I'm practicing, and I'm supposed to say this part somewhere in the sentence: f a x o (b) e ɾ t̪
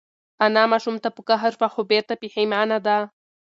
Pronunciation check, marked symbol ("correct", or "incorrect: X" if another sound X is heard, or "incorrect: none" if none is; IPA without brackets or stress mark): correct